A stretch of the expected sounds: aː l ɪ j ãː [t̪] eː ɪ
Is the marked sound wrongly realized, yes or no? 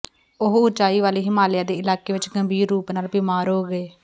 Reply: yes